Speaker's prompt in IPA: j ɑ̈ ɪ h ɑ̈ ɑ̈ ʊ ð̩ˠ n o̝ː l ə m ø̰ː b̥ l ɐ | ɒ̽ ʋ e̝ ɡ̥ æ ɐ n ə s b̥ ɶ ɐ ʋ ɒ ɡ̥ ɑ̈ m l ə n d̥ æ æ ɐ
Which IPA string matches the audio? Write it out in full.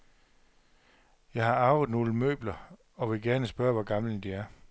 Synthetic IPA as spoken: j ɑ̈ ɪ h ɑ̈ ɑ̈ ʊ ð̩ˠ n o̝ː l ə m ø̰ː b̥ l ɐ | ɒ̽ ʋ e̝ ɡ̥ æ ɐ n ə s b̥ ɶ ɐ ʋ ɒ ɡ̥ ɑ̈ m l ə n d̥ i æ ɐ